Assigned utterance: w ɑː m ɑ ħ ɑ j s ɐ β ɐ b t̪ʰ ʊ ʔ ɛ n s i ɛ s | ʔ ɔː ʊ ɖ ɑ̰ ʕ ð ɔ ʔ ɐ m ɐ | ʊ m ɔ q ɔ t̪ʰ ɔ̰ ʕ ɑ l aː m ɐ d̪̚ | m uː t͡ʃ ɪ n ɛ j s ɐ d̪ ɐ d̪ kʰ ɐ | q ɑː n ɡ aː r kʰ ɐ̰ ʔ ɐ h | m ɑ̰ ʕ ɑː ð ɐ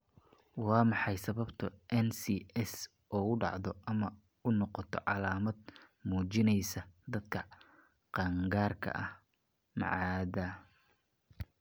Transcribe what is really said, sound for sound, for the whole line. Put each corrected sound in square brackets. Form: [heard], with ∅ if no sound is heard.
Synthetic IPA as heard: w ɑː m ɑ ħ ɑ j s ɐ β ɐ b t̪ʰ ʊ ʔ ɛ n s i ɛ s | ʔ ɔː ʊ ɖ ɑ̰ ʕ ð ɔ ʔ ɐ m ɐ | ʊ [n] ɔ q ɔ t̪ʰ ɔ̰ ʕ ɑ l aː m ɐ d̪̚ | m uː t͡ʃ ɪ n ɛ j s ɐ d̪ ɐ d̪ kʰ ɐ | q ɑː [ŋ] ɡ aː r kʰ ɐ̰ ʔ ɐ h | m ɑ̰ ʕ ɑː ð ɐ